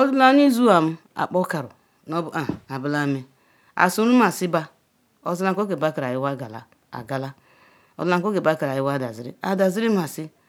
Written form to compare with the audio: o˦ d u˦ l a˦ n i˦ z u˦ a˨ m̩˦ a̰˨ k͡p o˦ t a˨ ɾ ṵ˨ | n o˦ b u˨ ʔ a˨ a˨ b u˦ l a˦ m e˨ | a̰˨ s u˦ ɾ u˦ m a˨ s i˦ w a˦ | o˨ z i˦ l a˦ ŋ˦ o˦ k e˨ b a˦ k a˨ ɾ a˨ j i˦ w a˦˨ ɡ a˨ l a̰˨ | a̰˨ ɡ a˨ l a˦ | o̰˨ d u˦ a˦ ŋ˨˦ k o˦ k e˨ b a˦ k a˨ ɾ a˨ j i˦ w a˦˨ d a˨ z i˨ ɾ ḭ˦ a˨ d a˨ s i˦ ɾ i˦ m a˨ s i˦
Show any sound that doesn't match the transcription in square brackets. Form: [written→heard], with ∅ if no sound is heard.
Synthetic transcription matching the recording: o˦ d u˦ l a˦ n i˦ z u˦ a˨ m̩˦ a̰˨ k͡p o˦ [t→k] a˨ ɾ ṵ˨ | n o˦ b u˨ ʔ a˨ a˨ b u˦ l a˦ m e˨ | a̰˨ s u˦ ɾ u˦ m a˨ s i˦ [w→b] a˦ | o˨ z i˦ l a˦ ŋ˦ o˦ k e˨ b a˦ k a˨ ɾ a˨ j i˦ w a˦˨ ɡ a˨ l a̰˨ | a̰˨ ɡ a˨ l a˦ | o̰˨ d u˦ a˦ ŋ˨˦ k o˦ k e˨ b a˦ k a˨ ɾ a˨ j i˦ w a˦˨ d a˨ z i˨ ɾ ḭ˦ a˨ d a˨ [s→z] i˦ ɾ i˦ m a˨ s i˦